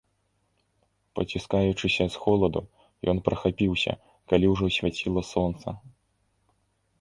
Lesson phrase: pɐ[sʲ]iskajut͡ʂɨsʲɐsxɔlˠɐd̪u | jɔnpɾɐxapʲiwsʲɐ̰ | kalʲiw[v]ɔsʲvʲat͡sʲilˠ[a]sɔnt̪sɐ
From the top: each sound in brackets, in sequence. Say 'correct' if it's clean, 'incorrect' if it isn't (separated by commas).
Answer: incorrect, incorrect, incorrect